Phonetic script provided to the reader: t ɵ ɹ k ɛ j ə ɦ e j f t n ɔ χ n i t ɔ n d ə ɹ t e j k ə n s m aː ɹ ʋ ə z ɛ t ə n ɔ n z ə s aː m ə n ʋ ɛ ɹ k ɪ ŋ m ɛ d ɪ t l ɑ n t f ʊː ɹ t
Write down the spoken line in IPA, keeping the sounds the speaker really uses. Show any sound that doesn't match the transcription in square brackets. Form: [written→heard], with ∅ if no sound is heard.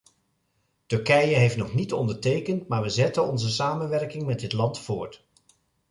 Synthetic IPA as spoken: t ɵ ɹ k ɛ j ə ɦ e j f t n ɔ χ n i t ɔ n d ə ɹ t e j k ə n [s→t] m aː ɹ ʋ ə z ɛ t ə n ɔ n z ə s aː m ə n ʋ ɛ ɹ k ɪ ŋ m ɛ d ɪ t l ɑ n t f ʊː ɹ t

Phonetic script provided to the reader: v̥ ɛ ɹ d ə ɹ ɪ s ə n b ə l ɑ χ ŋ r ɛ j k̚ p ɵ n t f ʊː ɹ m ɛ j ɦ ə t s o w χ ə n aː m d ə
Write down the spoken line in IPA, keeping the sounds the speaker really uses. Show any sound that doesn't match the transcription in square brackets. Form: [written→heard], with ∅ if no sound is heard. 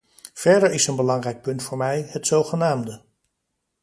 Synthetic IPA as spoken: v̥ ɛ ɹ d ə ɹ ɪ s ə n b ə l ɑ [χ→∅] ŋ r ɛ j k̚ p ɵ n t f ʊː ɹ m ɛ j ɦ ə t s o w χ ə n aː m d ə

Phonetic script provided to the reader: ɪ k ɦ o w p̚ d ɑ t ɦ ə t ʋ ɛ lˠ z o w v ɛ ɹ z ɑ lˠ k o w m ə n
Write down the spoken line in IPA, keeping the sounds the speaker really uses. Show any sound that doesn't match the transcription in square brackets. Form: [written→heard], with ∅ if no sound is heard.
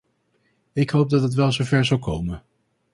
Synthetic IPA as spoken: ɪ k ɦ o w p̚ d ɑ t ɦ ə t ʋ ɛ lˠ z o w v ɛ ɹ z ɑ lˠ k o w m ə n

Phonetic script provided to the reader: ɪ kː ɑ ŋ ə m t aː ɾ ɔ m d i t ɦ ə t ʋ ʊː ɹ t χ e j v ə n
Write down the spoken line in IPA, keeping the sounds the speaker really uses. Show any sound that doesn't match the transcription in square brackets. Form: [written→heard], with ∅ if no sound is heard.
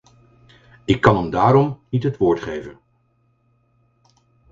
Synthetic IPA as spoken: ɪ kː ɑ [ŋ→n] ə m [t→d] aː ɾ ɔ m [d→n] i t ɦ ə t ʋ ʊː ɹ t χ e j v ə n

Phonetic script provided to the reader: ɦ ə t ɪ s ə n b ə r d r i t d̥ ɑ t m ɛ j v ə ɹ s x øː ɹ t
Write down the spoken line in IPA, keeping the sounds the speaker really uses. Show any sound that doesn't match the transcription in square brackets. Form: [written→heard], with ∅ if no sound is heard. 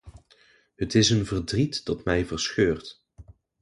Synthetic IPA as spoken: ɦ ə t ɪ s ə n [b→v] ə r d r i t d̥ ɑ t m ɛ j v ə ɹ s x øː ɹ t

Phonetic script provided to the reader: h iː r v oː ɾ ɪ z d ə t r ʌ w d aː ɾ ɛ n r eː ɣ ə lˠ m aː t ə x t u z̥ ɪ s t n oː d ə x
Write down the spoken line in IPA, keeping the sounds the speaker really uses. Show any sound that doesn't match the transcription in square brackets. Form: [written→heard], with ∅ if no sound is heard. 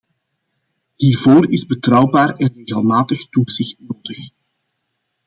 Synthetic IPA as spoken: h iː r v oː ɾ ɪ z [d→b] ə t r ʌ w [d→b] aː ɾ ɛ n r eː ɣ ə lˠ m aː t ə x t u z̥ ɪ [s→x] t n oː d ə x

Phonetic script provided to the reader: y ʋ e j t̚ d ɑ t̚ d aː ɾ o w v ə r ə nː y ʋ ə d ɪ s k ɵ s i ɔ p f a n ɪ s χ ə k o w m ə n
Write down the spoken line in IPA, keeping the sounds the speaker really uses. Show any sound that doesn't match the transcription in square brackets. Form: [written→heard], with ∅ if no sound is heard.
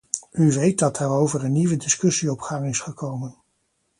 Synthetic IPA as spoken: y ʋ e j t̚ d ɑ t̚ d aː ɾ o w v ə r ə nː [y→i] ʋ ə d ɪ s k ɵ s i ɔ p [f→χ] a [n→ŋ] ɪ s χ ə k o w m ə n

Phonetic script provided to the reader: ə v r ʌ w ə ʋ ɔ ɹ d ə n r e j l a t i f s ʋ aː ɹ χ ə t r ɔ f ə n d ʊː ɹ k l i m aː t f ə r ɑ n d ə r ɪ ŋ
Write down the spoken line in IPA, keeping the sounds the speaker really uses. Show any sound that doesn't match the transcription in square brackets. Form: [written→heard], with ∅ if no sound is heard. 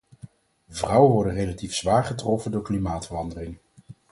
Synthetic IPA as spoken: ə v r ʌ w ə ʋ ɔ ɹ d ə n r e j l a t i f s ʋ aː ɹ χ ə t r ɔ f ə n d ʊː ɹ k l i m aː t f ə r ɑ n d ə r ɪ ŋ

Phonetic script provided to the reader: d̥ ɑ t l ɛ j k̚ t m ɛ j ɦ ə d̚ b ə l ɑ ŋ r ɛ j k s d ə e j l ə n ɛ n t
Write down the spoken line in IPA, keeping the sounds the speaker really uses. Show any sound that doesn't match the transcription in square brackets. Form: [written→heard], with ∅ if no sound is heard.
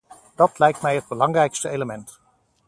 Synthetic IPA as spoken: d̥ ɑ t l ɛ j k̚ t m ɛ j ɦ ə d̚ b ə l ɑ ŋ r ɛ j k s [d→t] ə e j l ə [n→m] ɛ n t

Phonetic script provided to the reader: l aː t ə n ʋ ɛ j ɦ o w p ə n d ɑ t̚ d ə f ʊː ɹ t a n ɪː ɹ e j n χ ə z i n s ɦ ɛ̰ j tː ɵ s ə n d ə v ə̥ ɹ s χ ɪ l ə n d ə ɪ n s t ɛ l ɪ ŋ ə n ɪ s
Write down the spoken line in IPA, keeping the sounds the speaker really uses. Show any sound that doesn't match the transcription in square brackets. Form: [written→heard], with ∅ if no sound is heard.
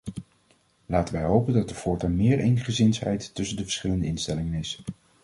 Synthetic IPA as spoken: l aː t ə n ʋ ɛ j ɦ o w p ə n d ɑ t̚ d ə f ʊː ɹ t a [n→m] ɪː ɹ e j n χ ə z [i→ɪ] n s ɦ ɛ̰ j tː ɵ s ə n d ə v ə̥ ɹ s χ ɪ l ə n d ə ɪ n s t ɛ l ɪ ŋ ə n ɪ s

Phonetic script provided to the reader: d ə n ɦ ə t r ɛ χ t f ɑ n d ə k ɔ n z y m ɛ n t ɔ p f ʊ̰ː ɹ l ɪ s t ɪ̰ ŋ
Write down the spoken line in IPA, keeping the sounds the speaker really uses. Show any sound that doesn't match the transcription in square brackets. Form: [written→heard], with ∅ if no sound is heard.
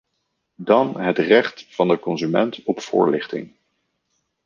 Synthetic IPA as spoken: d [ə→ɑ] n ɦ ə t r ɛ χ t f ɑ n d ə k ɔ n z y m ɛ n t ɔ p f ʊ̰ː ɹ l ɪ [s→χ] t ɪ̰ ŋ

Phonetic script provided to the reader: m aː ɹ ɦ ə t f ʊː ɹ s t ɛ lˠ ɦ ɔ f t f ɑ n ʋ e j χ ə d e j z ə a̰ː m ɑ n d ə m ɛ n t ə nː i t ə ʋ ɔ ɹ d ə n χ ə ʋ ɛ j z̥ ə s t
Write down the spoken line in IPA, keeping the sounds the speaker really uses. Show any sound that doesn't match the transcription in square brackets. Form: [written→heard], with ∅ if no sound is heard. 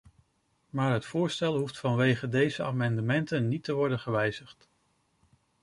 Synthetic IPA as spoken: m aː ɹ ɦ ə t f ʊː ɹ s t ɛ lˠ ɦ [ɔ→u] f t f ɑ n ʋ e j χ ə d e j z ə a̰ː m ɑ n d ə m ɛ n t ə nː i t ə ʋ ɔ ɹ d ə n χ ə ʋ ɛ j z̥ ə [s→χ] t

